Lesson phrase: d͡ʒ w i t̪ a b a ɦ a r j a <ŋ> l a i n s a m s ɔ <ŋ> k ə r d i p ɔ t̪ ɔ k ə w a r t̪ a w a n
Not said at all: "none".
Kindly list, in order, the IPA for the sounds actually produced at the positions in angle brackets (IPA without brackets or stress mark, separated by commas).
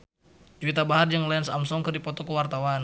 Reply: ŋ, ŋ